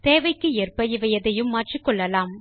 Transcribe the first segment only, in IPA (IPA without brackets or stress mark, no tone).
t̪